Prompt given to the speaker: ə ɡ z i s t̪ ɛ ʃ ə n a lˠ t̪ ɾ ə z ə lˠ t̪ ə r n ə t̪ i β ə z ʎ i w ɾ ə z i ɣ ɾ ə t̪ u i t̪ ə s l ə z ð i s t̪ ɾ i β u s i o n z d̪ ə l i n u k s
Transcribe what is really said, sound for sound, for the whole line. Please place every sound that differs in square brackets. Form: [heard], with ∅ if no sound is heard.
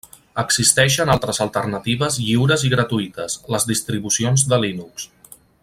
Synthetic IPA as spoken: ə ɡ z i s t̪ ɛ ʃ ə n a lˠ t̪ ɾ ə z ə lˠ t̪ ə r n ə t̪ i β ə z ʎ i w ɾ ə z i ɣ ɾ ə t̪ u i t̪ ə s l ə z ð i s t̪ ɾ i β u s i o n z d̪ ə l i n u k s